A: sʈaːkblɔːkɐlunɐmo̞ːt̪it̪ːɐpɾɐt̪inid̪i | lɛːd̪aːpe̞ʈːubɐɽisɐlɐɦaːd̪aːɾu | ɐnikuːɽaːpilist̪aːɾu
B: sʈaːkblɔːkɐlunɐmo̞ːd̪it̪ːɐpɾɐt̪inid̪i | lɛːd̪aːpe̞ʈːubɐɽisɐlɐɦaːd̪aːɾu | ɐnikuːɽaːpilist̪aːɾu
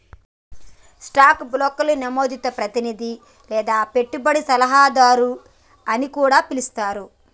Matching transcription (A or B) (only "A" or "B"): B